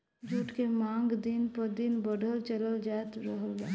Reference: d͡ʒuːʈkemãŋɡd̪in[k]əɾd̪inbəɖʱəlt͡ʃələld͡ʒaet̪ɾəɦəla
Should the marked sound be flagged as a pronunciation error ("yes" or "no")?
yes